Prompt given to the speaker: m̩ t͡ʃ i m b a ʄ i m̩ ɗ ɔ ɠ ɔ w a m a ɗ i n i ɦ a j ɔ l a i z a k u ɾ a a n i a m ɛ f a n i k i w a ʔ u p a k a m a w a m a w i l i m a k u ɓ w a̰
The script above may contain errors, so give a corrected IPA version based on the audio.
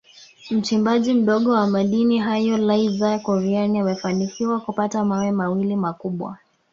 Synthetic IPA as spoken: m̩ t͡ʃ i m b a ʄ i m̩ ɗ ɔ ɠ ɔ w a m a ɗ i n i ɦ a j ɔ l a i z a k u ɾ i a n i a m ɛ f a n i k i w a k u p a t a m a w ɛ m a w i l i m a k u ɓ w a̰

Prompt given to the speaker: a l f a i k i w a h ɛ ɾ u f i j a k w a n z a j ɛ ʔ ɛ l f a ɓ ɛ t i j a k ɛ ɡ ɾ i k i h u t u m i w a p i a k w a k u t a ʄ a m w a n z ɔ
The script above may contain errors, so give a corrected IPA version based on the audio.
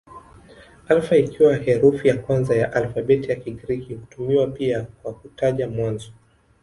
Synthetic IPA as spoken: a l f a i k i w a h ɛ ɾ u f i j a k w a n z a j a ʔ a l f a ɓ ɛ t i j a k i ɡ ɾ i k i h u t u m i w a p i a k w a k u t a ʄ a m w a n z ɔ

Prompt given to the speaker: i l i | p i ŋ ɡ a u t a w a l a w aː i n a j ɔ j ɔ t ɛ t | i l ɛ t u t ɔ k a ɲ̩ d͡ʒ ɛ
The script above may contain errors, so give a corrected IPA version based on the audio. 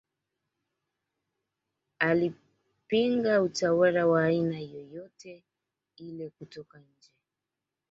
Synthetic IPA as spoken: a l i | p i ŋ ɡ a u t a w a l a w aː i n a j ɔ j ɔ t ɛ | i l ɛ k u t ɔ k a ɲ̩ d͡ʒ ɛ

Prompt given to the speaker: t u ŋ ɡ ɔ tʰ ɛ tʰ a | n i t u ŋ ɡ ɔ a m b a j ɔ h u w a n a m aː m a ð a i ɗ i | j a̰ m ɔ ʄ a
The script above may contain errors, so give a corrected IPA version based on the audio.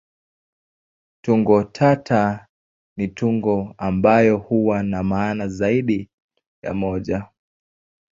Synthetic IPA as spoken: t u ŋ ɡ ɔ tʰ a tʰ a | n i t u ŋ ɡ ɔ a m b a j ɔ h u w a n a m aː n a z a i ɗ i | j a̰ m ɔ ʄ a

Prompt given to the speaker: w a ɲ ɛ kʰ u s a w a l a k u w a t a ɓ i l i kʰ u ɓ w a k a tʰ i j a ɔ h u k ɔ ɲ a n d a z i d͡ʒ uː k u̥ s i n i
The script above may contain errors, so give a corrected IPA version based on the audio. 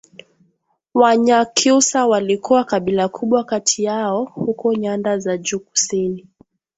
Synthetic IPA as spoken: w a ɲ a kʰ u s a w a l i k u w a k a ɓ i l a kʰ u ɓ w a k a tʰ i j a ɔ h u k ɔ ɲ a n d a z a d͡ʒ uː k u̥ s i n i

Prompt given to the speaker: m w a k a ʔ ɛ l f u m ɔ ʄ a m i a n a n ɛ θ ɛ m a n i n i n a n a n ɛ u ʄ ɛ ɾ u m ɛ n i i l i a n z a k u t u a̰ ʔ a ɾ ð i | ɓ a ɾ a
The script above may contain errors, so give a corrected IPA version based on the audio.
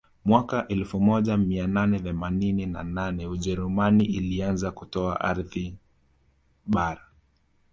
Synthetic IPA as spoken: m w a k a ʔ ɛ l f u m ɔ ʄ a m i a n a n ɛ θ ɛ m a n i n i n a n a n ɛ u ʄ ɛ ɾ u m a n i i l i a n z a k u t ɔ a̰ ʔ a ɾ ð i | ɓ a ɾ a

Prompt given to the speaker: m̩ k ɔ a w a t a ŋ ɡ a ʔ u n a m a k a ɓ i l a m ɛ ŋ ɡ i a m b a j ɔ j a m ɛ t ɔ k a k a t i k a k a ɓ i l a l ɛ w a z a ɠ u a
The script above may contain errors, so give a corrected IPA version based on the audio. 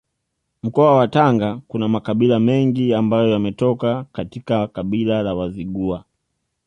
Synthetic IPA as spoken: m̩ k ɔ a w a t a ŋ ɡ a k u n a m a k a ɓ i l a m ɛ ŋ ɡ i a m b a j ɔ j a m ɛ t ɔ k a k a t i k a k a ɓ i l a l a w a z i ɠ u a

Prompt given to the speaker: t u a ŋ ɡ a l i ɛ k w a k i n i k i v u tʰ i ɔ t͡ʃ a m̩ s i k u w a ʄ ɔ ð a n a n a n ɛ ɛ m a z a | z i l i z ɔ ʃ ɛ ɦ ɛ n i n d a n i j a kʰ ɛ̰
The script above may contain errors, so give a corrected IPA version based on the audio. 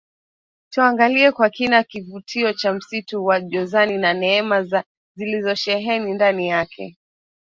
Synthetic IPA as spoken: t u a ŋ ɡ a l i ɛ k w a k i n a k i v u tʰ i ɔ t͡ʃ a m̩ s i t u w a ʄ ɔ z a n i n a n ɛ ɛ m a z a | z i l i z ɔ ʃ ɛ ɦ ɛ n i n d a n i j a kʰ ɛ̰

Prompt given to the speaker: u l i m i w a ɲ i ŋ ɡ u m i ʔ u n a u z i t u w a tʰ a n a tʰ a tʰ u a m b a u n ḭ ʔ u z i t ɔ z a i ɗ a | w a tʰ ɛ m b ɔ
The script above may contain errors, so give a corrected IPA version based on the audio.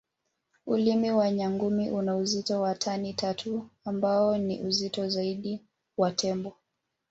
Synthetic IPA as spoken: u l i m i w a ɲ a ŋ ɡ u m i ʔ u n a u z i t ɔ w a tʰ a n i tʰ a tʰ u a m b a ɔ n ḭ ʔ u z i t ɔ z a i ɗ i | w a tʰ ɛ m b ɔ

